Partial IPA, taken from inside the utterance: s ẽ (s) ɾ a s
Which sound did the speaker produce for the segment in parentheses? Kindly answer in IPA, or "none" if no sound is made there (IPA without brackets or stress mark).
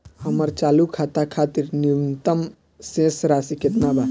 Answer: s